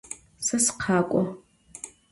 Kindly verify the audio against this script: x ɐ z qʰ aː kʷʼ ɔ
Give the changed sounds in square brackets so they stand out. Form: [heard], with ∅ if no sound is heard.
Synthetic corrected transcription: [s] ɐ [s] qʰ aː kʷʼ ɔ